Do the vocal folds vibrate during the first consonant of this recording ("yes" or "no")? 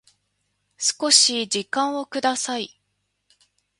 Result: no